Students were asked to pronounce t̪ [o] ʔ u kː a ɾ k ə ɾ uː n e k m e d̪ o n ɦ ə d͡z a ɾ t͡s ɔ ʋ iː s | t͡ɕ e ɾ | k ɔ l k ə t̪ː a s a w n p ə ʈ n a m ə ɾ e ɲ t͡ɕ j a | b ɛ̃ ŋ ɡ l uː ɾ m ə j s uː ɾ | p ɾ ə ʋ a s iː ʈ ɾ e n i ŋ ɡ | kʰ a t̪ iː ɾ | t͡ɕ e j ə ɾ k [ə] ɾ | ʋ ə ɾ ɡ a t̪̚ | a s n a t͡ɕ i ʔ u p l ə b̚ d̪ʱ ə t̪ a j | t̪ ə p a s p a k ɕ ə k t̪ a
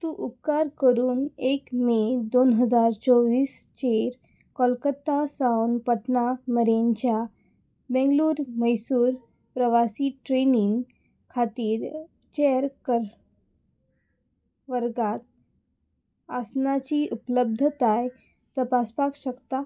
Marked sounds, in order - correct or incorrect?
incorrect: u, correct

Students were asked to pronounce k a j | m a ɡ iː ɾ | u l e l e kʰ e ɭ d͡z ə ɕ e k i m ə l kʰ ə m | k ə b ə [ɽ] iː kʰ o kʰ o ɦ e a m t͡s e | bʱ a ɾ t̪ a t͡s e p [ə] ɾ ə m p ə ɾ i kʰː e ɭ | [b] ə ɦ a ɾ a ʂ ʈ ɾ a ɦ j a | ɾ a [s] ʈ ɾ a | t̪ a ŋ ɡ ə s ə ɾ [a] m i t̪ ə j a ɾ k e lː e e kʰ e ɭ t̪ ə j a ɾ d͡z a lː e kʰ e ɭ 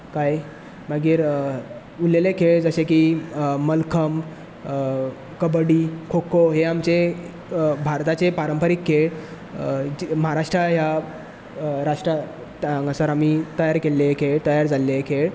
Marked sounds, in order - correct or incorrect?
correct, incorrect: a, incorrect: m, incorrect: ʂ, correct

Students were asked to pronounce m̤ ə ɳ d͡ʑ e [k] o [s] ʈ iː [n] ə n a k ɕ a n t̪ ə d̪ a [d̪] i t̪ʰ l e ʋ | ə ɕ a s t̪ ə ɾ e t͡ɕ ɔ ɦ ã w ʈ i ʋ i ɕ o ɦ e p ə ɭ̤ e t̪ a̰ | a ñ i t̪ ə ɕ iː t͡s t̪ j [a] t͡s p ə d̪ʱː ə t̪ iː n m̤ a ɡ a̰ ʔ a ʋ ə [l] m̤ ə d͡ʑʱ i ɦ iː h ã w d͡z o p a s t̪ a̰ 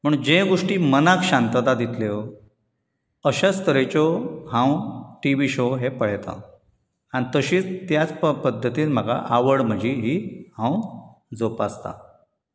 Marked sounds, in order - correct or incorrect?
incorrect: ɡ, incorrect: ʂ, incorrect: m, correct, correct, incorrect: ɽ

